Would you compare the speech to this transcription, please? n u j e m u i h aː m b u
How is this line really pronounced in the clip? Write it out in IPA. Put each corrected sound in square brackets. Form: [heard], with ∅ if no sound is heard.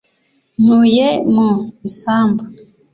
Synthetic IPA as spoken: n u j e m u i [s] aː m b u